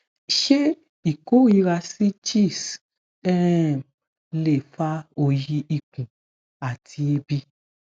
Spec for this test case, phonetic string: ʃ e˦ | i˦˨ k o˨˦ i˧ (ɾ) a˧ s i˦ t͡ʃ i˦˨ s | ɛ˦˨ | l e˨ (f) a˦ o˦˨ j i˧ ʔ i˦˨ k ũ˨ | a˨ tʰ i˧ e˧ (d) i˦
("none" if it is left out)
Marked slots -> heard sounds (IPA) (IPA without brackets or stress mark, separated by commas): ɾ, f, b